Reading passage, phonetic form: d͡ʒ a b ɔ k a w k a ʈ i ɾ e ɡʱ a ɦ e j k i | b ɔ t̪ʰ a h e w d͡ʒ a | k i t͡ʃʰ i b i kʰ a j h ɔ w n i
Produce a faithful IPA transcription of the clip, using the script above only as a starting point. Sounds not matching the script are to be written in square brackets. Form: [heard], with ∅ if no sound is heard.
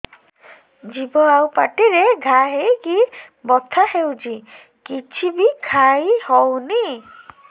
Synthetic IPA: d͡ʒ [i] b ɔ [∅] a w [p] a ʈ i ɾ e ɡʱ a ɦ e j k i | b ɔ t̪ʰ a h e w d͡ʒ [i] | k i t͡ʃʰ i b i kʰ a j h ɔ w n i